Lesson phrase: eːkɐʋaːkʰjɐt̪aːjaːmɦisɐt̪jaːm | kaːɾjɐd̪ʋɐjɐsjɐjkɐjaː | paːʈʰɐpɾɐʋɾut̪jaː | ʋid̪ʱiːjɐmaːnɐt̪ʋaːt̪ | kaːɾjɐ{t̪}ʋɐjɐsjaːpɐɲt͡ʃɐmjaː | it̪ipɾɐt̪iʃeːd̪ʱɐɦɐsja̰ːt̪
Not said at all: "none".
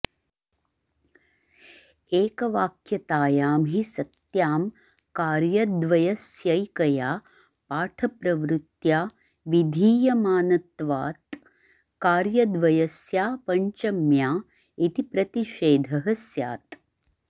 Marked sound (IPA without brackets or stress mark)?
d̪